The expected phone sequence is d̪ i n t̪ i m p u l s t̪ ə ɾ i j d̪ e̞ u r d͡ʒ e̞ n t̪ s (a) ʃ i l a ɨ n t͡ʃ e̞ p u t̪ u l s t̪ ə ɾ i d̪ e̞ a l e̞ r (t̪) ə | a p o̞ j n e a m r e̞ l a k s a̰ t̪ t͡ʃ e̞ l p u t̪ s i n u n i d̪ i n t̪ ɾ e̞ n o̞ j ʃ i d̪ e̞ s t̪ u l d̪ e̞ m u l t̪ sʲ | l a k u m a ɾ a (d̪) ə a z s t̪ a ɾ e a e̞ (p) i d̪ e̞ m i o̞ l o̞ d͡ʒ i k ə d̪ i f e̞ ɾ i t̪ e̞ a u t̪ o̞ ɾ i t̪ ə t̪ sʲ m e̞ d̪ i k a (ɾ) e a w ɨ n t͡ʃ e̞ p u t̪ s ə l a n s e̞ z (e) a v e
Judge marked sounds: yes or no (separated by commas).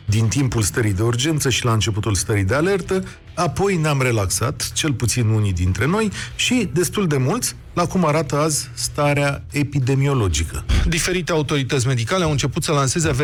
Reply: no, yes, no, yes, no, yes